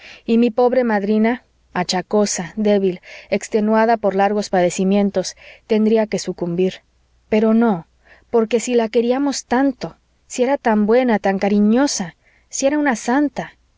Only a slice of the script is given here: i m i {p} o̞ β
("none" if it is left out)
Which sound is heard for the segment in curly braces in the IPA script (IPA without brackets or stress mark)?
p